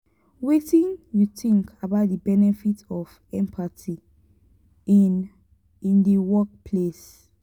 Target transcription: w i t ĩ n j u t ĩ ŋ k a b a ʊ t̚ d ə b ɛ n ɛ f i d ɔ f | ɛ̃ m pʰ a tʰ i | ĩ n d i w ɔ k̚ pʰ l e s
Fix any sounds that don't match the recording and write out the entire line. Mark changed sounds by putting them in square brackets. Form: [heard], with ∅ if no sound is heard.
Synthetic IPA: w [e] t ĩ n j u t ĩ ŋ k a b a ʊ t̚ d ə b ɛ n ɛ f i [t] ɔ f | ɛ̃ m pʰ a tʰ i | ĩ n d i w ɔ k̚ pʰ l e s